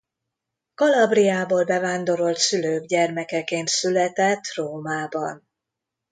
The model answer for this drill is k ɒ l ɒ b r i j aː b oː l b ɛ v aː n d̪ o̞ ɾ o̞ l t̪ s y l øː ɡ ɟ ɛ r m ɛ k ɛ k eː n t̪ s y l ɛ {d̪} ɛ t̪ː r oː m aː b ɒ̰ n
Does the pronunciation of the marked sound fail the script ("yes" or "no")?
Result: yes